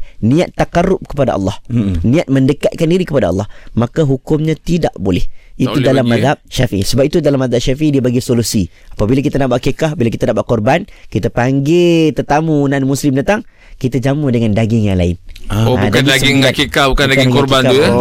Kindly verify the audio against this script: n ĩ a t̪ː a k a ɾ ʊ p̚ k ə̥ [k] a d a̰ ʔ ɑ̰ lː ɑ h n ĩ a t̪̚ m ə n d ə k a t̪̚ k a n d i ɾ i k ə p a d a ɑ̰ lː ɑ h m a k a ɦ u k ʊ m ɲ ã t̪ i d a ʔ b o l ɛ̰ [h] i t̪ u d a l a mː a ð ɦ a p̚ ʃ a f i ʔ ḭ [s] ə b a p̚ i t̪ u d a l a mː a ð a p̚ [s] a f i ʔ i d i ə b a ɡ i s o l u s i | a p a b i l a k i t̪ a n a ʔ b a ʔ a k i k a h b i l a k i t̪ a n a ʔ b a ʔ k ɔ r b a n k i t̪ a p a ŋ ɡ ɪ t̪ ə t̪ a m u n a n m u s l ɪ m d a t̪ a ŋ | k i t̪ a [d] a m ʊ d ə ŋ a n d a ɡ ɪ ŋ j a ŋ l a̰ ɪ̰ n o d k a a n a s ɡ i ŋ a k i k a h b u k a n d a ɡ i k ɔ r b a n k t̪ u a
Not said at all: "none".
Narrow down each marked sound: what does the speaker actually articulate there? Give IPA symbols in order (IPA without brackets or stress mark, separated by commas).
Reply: p, h, s, ʃ, d͡ʒ